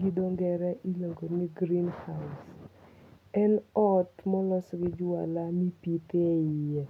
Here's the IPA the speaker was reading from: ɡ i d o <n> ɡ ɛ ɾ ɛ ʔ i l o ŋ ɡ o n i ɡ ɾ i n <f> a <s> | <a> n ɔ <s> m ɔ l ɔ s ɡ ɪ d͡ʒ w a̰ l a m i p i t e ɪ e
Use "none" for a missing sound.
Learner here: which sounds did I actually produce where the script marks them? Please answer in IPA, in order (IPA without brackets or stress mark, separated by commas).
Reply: ŋ, h, s, ɛ, t